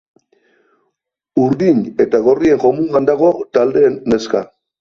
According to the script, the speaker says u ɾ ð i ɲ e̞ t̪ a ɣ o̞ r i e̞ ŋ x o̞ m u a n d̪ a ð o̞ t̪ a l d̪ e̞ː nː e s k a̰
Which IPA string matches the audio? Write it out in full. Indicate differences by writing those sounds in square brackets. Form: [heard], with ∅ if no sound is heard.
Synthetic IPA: u ɾ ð i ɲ e̞ t̪ a ɣ o̞ r i e̞ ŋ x o̞ m u a n d̪ a [ɣ] o̞ t̪ a l d̪ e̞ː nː e s k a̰